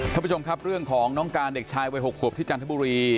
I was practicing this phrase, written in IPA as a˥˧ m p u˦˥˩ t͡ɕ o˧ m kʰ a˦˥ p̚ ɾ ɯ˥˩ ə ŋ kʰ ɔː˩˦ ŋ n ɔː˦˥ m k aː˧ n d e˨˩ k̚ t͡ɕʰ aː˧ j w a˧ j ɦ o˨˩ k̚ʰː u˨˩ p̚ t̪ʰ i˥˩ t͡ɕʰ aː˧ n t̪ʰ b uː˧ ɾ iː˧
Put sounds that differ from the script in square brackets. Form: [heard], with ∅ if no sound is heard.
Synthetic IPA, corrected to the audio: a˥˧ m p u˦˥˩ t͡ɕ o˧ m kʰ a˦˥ p̚ ɾ ɯ˥˩ ə ŋ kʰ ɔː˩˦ ŋ n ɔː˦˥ [ŋ] k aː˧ n d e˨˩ k̚ t͡ɕʰ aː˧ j w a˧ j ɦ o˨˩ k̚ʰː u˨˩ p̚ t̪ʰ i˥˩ [t͡ɕ] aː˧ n t̪ʰ b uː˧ ɾ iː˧